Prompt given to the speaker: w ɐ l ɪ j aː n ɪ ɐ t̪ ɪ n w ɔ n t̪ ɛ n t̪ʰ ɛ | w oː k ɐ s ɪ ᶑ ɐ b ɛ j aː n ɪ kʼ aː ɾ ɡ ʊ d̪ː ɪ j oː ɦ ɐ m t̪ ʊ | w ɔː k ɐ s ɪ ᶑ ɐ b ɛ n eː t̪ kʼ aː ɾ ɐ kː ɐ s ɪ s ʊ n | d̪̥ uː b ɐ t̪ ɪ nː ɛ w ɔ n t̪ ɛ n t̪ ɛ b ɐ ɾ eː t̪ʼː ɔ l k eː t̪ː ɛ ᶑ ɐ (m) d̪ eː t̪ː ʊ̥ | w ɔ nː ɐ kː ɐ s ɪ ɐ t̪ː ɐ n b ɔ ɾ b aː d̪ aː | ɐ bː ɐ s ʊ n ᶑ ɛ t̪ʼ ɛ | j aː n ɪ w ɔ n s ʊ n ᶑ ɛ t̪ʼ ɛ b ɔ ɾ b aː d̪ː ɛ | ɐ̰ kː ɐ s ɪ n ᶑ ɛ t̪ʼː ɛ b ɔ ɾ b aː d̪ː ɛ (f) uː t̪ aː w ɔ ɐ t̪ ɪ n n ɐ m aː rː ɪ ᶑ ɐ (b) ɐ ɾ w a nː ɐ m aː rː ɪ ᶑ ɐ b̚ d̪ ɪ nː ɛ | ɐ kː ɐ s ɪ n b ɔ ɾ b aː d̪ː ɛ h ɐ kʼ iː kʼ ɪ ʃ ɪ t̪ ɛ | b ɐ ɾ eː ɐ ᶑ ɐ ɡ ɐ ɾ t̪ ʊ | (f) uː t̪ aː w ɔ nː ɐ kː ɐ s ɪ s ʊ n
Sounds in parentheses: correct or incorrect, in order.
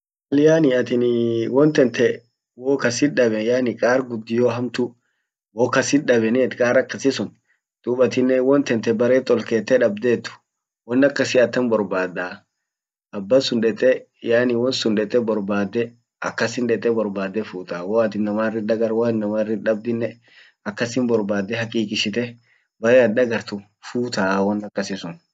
incorrect, correct, incorrect, correct

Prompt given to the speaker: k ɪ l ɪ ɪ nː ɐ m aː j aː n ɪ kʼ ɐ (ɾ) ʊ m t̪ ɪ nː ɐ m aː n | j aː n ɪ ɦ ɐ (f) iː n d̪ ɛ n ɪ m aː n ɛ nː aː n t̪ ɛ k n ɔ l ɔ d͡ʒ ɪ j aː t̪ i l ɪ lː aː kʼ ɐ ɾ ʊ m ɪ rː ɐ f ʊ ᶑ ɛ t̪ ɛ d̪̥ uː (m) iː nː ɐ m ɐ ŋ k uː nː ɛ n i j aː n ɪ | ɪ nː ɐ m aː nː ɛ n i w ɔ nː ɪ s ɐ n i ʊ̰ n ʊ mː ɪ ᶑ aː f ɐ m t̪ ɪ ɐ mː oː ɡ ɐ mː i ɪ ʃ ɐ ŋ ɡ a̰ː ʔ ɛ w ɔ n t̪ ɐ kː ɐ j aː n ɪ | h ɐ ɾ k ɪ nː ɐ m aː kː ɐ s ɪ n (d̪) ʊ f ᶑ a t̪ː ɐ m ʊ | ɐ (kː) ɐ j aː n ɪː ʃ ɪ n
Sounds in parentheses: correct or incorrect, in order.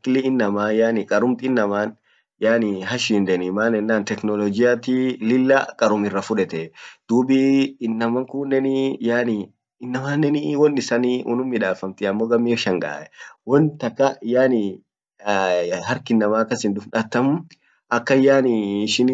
correct, incorrect, incorrect, correct, correct

